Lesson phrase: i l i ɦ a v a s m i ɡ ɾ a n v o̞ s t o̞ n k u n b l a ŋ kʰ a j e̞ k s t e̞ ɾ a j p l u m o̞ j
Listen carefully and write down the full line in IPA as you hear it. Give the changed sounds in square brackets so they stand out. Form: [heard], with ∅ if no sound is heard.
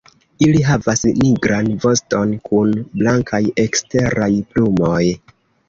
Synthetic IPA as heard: i l i ɦ a v a s [n] i ɡ ɾ a n v o̞ s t o̞ n k u n b l a ŋ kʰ a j e̞ k s t e̞ ɾ a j p l u m o̞ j